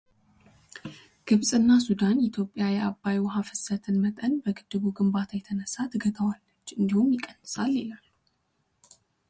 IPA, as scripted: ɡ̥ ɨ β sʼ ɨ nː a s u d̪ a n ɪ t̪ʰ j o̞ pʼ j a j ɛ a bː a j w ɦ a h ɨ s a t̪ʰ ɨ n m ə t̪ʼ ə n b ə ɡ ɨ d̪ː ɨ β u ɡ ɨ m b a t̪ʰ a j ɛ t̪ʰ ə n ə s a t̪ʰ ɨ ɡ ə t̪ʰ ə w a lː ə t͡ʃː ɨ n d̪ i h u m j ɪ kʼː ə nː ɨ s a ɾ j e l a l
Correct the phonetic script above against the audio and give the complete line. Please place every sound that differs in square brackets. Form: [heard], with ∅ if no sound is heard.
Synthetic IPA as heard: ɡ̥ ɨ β sʼ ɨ nː a s u d̪ a n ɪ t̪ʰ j o̞ pʼ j a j ɛ a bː a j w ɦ a [f] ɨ s [ə] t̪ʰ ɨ n m ə t̪ʼ ə n b ə ɡ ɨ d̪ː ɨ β u ɡ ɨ m b a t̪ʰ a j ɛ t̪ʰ ə n ə s a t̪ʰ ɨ ɡ ə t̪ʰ ə w a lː ə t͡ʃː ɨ n d̪ i h u m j ɪ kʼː ə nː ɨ s a [l] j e l a l